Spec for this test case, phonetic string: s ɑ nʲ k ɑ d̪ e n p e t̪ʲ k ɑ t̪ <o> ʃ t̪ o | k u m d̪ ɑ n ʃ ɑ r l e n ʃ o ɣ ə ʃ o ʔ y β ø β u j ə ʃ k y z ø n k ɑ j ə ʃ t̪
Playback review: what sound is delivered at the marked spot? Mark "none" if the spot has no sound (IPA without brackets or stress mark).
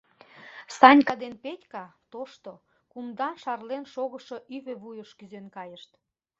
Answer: o